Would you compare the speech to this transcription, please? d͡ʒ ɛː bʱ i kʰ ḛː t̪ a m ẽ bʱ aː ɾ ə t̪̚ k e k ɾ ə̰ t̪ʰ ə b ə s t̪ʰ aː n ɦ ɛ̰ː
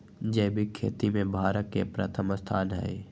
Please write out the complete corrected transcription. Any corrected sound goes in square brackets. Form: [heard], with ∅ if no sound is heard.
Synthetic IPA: d͡ʒ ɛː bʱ i kʰ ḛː t̪ [i] m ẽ bʱ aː ɾ ə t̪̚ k e [p] ɾ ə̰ t̪ʰ ə [m] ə s t̪ʰ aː n ɦ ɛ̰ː